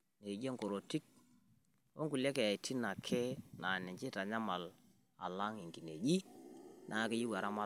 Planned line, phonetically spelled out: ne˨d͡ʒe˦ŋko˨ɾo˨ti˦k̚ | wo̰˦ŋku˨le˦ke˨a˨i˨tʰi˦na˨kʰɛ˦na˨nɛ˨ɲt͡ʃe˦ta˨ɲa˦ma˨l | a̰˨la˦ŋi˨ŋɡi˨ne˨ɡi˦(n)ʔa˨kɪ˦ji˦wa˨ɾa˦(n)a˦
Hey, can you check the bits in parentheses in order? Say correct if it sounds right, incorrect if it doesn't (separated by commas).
correct, incorrect